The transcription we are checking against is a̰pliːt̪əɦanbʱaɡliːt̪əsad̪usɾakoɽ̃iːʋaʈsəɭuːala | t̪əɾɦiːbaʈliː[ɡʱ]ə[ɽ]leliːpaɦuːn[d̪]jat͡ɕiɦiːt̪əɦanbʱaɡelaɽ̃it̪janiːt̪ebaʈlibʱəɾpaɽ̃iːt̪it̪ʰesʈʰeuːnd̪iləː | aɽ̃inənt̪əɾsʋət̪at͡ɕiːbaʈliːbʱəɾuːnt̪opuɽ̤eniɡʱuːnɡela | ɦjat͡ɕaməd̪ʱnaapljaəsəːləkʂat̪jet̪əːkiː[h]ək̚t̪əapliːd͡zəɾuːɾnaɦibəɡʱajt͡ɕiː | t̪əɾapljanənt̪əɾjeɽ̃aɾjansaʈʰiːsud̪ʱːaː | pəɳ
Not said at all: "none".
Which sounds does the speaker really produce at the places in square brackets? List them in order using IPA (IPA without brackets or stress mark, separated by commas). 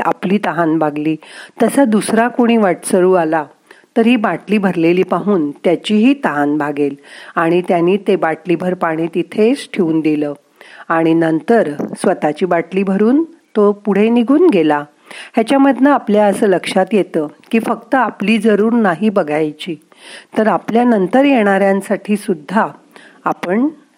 bʱ, ɾ, t̪, f